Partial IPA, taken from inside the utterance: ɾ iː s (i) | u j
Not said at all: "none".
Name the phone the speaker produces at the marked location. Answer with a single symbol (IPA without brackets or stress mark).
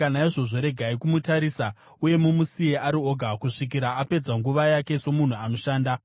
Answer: a